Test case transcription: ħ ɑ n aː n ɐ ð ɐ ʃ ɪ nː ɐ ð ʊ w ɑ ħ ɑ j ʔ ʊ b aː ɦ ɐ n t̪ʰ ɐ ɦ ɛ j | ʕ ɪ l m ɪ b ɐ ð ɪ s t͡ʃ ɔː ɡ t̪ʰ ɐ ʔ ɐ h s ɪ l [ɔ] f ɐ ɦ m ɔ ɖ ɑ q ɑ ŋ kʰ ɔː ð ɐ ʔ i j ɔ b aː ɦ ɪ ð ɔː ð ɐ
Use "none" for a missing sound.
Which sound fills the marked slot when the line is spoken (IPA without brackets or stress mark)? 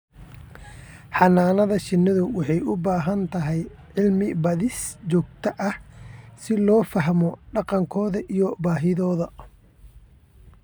ɔː